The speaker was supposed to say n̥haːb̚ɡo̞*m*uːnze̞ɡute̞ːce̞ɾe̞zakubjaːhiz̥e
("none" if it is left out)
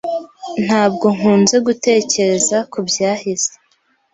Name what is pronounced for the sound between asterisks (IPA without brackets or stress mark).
ŋ